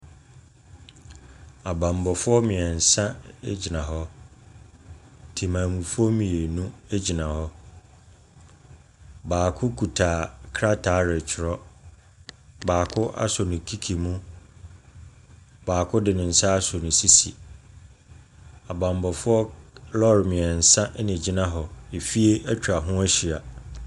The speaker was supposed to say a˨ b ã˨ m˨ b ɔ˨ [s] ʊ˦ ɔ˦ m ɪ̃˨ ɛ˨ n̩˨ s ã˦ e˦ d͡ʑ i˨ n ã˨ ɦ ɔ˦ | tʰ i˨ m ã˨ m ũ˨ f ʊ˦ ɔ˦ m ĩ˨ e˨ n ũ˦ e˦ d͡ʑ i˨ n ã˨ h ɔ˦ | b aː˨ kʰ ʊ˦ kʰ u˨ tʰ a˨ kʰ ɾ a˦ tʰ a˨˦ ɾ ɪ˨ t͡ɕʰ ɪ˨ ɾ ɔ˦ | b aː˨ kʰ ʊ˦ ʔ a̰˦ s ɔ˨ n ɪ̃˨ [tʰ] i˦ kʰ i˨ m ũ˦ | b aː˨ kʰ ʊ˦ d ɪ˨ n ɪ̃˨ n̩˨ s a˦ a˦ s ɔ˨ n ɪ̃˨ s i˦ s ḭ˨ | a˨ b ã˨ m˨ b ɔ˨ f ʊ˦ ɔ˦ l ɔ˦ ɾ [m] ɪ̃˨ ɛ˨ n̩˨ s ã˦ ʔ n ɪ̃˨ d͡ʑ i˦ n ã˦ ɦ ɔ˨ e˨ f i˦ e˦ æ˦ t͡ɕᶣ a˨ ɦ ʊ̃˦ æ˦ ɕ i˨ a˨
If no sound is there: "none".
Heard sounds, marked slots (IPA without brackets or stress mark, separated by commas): f, kʰ, m